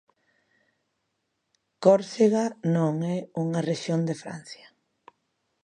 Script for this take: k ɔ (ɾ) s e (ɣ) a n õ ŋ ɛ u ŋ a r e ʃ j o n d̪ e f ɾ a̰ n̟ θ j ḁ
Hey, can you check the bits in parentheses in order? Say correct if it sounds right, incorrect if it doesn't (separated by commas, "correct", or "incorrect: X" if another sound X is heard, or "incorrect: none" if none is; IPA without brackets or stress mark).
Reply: correct, correct